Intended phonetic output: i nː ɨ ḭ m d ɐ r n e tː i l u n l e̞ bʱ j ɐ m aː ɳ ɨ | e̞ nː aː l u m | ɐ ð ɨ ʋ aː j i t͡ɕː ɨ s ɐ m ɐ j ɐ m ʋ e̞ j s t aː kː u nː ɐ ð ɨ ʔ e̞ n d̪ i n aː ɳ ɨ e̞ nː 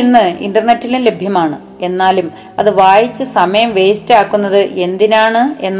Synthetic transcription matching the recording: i nː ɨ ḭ n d ɐ r n e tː i l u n l e̞ bʱ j ɐ m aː ɳ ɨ | e̞ nː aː l u m | ɐ ð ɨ ʋ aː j i t͡ɕː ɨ s ɐ m ɐ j ɐ m ʋ e̞ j s t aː kː u nː ɐ ð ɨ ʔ e̞ n d̪ i n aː ɳ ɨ e̞ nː